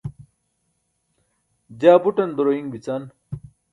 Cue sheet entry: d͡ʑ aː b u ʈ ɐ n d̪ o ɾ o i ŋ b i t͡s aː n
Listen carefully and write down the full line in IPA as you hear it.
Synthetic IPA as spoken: d͡ʑ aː b u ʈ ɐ n d̪ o ɾ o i ŋ b i t͡s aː n